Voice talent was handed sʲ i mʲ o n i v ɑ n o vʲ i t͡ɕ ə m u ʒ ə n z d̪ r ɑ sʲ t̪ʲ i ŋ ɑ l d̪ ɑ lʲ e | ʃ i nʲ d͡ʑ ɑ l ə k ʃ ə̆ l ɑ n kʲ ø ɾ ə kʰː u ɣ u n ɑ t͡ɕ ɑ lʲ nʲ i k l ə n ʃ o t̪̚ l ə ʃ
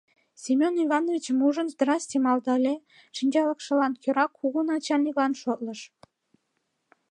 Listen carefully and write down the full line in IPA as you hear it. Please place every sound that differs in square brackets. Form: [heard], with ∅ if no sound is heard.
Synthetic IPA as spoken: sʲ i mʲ o n i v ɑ n o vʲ i t͡ɕ ə m u ʒ ə n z d̪ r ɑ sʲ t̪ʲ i [m] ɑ l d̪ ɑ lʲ e | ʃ i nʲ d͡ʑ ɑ l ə k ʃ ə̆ l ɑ n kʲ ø ɾ [ɑ] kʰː u ɣ u n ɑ t͡ɕ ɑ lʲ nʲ i k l [ɑ] n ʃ o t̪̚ l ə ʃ